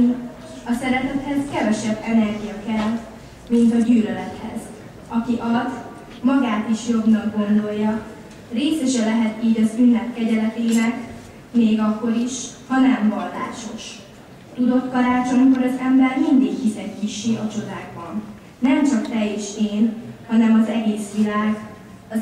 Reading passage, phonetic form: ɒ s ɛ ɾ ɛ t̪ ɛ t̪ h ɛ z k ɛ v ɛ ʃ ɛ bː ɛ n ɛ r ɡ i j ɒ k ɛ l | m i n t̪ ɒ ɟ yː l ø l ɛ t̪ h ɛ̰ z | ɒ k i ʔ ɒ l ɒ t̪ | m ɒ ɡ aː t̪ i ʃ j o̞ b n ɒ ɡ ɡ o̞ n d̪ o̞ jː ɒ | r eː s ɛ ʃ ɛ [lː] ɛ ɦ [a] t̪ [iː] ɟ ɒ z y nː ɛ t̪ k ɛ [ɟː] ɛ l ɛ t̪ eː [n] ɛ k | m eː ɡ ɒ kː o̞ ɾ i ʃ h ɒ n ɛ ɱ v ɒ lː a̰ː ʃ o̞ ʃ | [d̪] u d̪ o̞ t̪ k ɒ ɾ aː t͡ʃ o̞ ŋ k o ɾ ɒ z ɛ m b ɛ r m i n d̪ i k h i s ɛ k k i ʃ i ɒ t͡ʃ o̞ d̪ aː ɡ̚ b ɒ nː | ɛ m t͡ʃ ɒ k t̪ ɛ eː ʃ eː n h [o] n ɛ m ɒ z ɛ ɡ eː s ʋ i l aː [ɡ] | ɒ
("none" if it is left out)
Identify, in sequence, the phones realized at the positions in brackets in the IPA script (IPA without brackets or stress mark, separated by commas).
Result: l, ɛ, iː, ɟ, n, t̪, ɒ, ɡ